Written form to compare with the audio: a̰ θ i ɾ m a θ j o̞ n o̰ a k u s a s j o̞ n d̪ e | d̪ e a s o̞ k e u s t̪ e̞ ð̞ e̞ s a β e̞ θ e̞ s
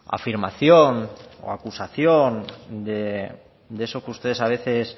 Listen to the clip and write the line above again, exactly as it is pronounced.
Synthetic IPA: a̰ f i ɾ m a θ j o̞ n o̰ a k u s a θ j o̞ n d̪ e | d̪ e e s o̞ k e u s t̪ e̞ ð̞ e̞ s a β e̞ θ e̞ s